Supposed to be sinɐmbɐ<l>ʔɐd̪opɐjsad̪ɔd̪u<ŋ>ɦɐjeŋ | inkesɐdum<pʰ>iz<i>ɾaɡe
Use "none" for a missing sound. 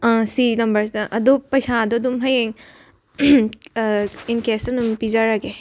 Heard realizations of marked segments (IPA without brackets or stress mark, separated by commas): ɾ, m, p, a